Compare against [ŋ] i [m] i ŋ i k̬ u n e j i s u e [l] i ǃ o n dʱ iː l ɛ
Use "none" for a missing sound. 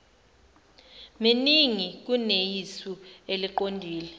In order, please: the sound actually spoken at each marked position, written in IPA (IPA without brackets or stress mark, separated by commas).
m, n, l